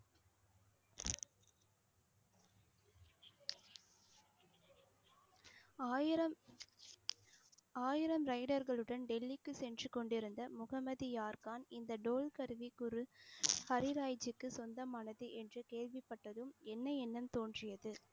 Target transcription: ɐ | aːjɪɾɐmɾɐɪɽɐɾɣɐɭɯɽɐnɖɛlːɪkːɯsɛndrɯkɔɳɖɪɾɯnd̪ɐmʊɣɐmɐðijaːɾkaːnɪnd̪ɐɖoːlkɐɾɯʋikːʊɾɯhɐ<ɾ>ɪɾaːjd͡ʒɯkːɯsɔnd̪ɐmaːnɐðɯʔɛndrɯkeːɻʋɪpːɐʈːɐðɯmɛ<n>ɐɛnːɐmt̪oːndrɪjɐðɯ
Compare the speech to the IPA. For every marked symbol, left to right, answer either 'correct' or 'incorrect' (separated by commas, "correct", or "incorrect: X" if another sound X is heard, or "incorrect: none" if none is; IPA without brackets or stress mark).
correct, incorrect: nː